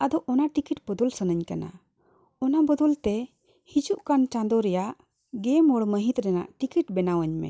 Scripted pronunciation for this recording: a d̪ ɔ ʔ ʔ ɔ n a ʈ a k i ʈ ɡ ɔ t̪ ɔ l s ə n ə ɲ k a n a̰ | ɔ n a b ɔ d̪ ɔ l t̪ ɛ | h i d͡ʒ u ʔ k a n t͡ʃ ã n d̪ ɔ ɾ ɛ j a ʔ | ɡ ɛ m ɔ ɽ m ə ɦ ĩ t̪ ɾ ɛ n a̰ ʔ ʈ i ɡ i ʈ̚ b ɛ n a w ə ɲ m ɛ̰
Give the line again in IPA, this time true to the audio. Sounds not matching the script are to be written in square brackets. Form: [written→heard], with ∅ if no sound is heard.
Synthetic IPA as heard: a d̪ ɔ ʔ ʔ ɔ n a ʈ [a→i] k i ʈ [ɡ→b] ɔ [t̪→d̪] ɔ l s ə n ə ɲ k a n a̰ | ɔ n a b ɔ d̪ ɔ l t̪ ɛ | h i d͡ʒ u ʔ k a n t͡ʃ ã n d̪ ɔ ɾ ɛ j a ʔ | ɡ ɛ m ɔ ɽ m ə ɦ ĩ t̪ ɾ ɛ n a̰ ʔ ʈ i [ɡ→k] i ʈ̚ b ɛ n a w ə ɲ m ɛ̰

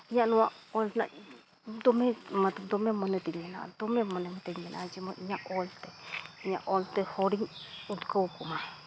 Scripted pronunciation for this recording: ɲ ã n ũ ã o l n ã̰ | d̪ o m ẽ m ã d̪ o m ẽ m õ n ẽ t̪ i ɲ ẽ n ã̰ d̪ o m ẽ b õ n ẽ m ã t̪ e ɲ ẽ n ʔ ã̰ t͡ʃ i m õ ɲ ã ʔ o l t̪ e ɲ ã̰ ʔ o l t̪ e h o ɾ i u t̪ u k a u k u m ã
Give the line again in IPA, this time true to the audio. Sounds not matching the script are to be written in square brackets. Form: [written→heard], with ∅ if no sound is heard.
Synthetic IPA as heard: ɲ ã n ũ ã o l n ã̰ | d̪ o m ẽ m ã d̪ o m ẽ m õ n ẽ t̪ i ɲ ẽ n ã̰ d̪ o m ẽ [b→m] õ n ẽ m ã t̪ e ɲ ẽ n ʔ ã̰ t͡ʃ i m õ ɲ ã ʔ o l t̪ e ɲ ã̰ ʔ o l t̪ e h o ɾ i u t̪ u k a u k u m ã

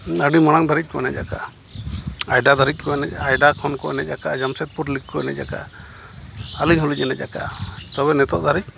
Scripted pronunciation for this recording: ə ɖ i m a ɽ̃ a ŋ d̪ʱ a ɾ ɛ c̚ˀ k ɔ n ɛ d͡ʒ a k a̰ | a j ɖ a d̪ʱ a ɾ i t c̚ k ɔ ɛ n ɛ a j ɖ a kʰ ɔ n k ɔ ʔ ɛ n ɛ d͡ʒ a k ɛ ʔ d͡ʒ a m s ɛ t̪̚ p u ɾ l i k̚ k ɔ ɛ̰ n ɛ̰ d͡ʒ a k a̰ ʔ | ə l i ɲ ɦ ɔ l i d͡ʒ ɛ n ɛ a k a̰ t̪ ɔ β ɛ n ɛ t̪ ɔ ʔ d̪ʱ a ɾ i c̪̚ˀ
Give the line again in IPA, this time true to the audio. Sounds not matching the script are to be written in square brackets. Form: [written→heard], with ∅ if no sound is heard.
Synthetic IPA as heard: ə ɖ i m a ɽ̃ a ŋ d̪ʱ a ɾ [ɛ→i] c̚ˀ k ɔ n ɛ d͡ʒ a k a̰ | a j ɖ a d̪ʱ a ɾ i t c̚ k ɔ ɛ n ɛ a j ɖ a kʰ ɔ n k ɔ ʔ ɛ n ɛ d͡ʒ a k [ɛ→a] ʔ d͡ʒ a m s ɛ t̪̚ p u ɾ l i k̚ k ɔ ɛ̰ n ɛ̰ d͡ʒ a k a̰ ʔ | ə l i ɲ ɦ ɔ l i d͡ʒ ɛ n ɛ a k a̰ t̪ ɔ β ɛ n ɛ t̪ ɔ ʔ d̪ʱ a ɾ i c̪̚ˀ

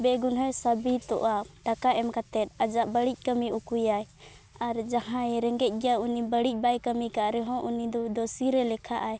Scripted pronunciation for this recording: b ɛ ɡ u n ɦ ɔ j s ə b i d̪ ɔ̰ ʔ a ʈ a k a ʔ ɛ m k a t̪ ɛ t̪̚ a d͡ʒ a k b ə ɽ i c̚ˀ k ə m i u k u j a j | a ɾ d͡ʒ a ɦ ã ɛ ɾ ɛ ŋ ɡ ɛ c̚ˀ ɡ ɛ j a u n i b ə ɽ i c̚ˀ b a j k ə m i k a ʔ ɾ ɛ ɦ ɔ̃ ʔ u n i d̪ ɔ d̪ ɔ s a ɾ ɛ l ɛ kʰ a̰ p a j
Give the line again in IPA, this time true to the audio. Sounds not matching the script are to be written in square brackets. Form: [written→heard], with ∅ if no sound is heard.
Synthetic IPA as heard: b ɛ ɡ u n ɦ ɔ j s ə b i [d̪→t̪] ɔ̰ ʔ a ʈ a k a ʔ ɛ m k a t̪ ɛ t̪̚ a d͡ʒ a [k→ʔ] b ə ɽ i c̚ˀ k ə m i u k u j a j | a ɾ d͡ʒ a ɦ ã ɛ ɾ ɛ ŋ ɡ ɛ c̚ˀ ɡ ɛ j a u n i b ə ɽ i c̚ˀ b a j k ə m i k a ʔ ɾ ɛ ɦ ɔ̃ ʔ u n i d̪ ɔ d̪ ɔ s [a→i] ɾ ɛ l ɛ kʰ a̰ [p→ʔ] a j

